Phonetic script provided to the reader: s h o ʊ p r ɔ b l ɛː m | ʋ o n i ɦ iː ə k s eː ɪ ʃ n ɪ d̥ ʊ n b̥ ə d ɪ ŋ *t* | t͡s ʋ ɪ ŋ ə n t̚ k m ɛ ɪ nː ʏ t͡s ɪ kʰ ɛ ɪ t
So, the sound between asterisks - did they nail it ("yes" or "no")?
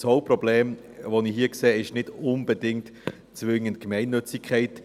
yes